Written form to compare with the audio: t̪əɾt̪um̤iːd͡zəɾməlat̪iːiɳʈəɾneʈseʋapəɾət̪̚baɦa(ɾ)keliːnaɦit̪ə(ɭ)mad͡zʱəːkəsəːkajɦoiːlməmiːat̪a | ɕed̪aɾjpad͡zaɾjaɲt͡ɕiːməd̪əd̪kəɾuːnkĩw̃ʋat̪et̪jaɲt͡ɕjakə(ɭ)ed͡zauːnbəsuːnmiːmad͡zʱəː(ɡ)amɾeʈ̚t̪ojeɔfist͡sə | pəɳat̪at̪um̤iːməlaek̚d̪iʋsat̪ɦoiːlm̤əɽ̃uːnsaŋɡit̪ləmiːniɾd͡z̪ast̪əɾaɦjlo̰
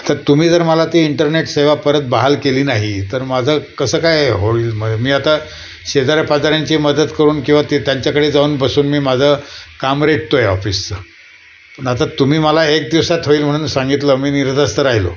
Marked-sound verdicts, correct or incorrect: incorrect, incorrect, incorrect, incorrect

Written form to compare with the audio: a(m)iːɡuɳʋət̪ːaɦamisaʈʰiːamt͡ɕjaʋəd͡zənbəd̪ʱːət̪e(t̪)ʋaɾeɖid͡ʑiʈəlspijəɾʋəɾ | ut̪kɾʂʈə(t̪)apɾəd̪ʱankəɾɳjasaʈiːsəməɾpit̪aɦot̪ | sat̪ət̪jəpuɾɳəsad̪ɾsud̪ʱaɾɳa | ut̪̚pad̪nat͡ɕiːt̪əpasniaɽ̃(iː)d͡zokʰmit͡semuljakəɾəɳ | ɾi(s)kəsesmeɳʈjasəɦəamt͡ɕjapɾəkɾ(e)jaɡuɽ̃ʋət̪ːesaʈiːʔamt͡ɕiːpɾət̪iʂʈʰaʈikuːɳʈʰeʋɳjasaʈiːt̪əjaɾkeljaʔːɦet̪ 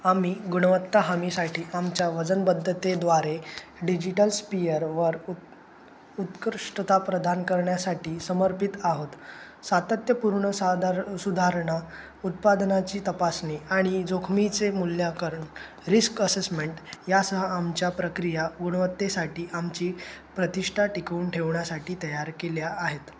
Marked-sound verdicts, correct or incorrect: correct, incorrect, correct, incorrect, correct, incorrect

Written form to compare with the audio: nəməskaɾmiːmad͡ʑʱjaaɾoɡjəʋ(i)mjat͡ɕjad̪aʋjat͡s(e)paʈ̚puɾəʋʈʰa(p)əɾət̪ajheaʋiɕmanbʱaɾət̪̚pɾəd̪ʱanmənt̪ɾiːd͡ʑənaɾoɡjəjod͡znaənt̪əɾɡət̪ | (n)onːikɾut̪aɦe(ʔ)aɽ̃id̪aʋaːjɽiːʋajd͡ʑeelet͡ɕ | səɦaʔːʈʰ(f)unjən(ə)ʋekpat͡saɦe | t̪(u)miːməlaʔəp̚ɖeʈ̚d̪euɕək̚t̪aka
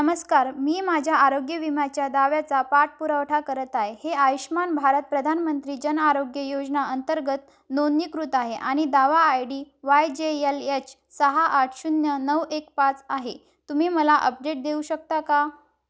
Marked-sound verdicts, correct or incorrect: correct, incorrect, incorrect, correct, correct, incorrect, correct, correct

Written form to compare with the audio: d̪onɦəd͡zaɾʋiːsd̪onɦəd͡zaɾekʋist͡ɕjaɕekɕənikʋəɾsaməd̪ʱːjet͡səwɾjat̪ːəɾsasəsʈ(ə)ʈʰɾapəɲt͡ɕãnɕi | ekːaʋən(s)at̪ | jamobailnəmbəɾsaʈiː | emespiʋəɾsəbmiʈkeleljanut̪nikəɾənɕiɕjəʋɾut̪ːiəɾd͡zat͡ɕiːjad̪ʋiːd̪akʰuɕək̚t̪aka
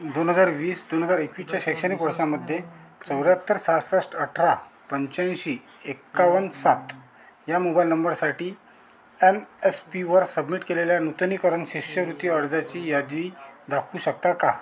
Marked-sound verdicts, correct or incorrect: correct, correct

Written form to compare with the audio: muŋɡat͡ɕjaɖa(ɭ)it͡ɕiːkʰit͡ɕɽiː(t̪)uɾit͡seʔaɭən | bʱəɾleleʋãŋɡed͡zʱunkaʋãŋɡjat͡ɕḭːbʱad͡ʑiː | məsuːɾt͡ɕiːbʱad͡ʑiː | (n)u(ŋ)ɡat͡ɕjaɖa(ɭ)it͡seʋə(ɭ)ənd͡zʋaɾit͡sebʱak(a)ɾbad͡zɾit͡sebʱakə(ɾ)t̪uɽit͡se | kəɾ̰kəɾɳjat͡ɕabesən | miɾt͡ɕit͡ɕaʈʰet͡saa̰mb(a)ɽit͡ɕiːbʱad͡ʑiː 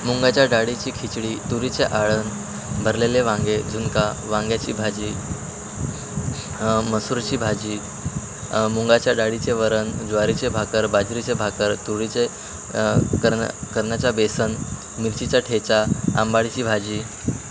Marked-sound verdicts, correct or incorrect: incorrect, correct, incorrect, correct, incorrect, incorrect, incorrect, correct, correct

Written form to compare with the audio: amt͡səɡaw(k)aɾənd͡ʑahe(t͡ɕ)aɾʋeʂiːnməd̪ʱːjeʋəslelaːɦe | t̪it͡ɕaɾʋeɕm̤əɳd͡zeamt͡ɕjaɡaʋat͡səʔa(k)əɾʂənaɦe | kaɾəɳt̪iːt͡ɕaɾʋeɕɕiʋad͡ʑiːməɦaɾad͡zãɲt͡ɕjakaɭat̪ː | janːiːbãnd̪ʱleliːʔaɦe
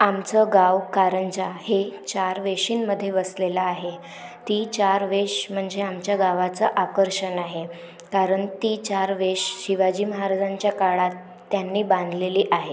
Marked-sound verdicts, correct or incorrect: correct, correct, correct

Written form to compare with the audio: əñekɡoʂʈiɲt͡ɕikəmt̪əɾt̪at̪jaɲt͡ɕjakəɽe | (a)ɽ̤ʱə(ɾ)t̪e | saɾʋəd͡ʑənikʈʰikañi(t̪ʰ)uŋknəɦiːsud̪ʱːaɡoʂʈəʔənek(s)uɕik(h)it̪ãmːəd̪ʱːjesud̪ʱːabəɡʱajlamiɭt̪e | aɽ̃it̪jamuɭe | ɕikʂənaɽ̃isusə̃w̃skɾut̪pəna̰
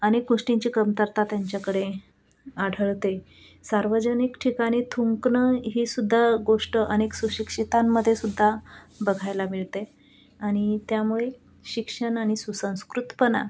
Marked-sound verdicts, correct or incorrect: correct, incorrect, correct, correct, incorrect

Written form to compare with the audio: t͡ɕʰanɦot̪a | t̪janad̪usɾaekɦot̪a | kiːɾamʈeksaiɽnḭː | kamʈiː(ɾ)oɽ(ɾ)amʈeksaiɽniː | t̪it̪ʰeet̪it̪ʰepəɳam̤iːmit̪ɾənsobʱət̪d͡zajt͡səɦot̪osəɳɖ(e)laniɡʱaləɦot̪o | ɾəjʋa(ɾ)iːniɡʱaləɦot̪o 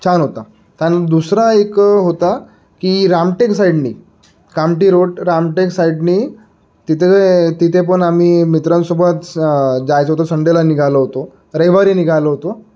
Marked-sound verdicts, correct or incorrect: correct, correct, correct, correct

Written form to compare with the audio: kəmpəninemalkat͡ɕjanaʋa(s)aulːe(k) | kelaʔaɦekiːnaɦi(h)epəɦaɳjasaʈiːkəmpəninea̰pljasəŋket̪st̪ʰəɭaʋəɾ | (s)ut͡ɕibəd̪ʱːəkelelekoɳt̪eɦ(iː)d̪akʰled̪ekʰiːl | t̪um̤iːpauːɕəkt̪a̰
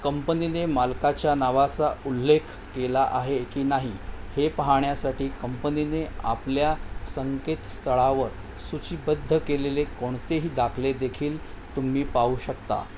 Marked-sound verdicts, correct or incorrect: incorrect, incorrect, correct, correct, correct

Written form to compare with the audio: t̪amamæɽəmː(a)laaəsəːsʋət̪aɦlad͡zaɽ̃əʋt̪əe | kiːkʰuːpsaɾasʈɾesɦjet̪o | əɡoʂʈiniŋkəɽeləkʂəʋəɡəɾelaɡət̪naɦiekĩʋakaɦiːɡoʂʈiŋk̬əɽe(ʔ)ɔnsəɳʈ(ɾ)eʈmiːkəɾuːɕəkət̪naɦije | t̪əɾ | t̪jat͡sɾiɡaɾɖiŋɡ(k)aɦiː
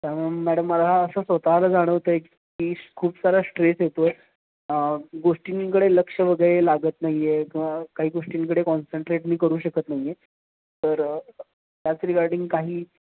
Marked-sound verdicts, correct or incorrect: incorrect, incorrect, correct, correct

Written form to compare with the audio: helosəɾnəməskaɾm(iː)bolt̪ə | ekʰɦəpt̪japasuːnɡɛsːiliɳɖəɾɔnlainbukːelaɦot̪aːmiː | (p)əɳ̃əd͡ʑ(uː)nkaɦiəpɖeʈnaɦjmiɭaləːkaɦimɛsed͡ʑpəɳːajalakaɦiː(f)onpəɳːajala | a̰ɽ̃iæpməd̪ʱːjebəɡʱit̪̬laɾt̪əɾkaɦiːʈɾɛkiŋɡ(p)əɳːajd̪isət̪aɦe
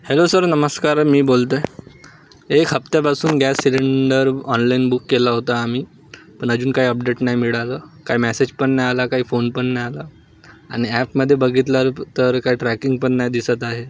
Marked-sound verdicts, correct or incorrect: correct, correct, correct, correct, correct

